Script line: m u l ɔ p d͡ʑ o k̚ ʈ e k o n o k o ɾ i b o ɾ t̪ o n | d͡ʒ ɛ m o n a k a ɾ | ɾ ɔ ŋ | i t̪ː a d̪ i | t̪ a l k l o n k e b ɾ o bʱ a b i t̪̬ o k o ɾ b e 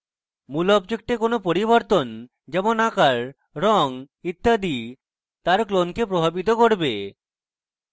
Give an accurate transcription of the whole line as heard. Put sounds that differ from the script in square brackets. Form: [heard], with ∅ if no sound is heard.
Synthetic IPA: m u l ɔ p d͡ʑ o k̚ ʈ e k o n o [p] o ɾ i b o ɾ t̪ o n | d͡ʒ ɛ m o n a k a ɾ | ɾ ɔ ŋ | i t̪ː a d̪ i | t̪ a [ɾ] k l o n k e [p] ɾ o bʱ a b i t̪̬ o k o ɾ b e